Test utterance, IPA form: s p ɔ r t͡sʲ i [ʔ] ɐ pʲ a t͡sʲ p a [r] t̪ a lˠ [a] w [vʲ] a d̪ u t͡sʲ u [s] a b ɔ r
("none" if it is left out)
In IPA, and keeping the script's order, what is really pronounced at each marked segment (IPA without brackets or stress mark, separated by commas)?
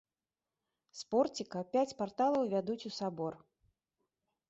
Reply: k, r, ɐ, vʲ, s